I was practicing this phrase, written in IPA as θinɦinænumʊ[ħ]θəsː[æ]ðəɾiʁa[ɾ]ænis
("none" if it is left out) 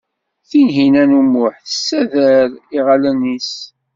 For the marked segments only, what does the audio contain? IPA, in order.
ħ, æ, l

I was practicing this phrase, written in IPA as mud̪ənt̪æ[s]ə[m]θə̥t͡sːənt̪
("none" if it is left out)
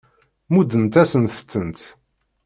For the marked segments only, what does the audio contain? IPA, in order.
s, n

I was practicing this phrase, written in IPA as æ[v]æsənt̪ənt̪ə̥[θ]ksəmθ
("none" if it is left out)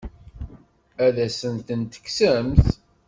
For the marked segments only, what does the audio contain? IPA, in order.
ð, none

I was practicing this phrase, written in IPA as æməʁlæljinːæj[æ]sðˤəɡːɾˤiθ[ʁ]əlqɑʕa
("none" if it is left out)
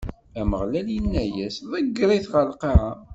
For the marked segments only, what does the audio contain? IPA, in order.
æ, ʁ

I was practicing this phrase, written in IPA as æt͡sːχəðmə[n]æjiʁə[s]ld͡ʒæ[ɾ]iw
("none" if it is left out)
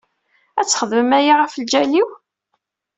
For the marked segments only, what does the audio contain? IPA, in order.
m, f, l

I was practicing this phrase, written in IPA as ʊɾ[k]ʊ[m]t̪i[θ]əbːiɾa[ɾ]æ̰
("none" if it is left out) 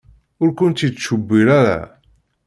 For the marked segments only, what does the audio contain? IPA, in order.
k, n, ʃ, ɾ

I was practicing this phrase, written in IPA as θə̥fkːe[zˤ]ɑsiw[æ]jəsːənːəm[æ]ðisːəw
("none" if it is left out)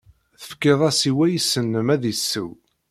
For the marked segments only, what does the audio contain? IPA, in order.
ðˤ, æ, æ

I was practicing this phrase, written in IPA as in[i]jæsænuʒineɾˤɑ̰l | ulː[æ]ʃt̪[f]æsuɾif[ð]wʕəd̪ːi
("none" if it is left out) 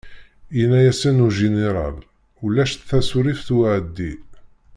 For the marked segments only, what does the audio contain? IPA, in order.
æ, æ, θ, θ

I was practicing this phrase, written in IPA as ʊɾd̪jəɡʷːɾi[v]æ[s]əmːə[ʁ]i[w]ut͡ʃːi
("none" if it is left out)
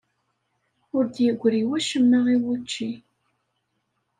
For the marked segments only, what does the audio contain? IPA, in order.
w, ʃ, ʁ, w

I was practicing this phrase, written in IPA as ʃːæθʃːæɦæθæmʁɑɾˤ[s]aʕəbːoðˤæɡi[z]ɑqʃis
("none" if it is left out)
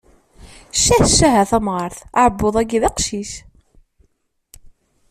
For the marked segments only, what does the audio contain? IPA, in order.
θ, ð

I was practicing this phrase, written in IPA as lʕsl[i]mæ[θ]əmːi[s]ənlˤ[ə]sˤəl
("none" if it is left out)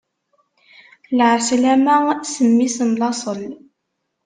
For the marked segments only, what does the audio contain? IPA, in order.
æ, s, s, ɑ

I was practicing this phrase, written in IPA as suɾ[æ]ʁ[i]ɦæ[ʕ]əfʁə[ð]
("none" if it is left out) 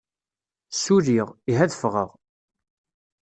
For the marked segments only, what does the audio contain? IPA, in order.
i, i, ð, ʁ

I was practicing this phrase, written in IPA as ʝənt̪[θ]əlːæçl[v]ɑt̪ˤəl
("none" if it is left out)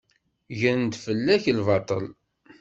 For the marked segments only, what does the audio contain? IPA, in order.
f, v

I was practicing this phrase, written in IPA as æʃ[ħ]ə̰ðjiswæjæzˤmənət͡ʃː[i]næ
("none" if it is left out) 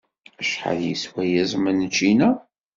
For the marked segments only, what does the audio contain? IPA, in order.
ħ, i

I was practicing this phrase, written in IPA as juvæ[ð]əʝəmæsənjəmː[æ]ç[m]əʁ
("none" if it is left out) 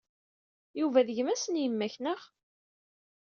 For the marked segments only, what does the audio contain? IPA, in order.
ð, æ, n

